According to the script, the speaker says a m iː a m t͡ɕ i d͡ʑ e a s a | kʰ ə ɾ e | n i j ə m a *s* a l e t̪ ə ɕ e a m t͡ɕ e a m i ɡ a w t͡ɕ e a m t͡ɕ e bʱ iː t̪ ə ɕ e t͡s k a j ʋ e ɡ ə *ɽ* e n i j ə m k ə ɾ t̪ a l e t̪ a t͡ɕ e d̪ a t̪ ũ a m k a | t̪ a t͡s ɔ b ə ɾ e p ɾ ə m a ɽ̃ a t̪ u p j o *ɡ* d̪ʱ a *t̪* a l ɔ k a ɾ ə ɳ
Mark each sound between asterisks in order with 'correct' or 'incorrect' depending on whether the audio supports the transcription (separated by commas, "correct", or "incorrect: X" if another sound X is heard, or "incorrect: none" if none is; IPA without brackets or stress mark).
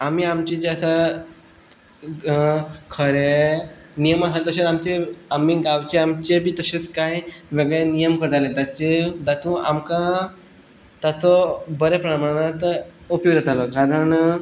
correct, incorrect: ɭ, correct, correct